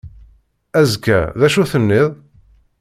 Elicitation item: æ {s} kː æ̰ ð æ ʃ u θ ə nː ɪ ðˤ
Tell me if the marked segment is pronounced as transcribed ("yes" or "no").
no